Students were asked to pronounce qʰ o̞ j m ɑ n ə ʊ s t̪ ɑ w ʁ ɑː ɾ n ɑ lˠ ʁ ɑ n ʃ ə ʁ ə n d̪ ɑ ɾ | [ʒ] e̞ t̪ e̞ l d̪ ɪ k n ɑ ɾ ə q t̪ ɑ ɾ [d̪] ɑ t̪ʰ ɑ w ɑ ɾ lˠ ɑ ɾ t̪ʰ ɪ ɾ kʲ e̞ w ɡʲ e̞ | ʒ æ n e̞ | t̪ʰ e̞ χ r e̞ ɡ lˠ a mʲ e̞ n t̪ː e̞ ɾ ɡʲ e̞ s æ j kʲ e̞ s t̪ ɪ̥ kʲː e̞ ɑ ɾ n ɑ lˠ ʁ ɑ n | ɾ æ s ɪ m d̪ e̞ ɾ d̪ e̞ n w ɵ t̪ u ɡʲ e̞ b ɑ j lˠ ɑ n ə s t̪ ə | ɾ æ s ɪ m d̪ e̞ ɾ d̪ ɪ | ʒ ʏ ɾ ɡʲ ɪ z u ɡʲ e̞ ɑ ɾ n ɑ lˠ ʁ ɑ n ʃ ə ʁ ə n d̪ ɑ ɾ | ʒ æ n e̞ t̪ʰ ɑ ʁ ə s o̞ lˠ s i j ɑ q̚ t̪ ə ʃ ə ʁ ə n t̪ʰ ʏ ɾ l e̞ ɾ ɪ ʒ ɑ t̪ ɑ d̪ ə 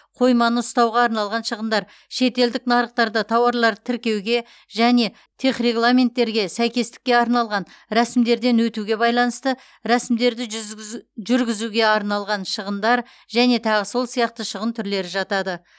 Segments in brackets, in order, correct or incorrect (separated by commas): incorrect, correct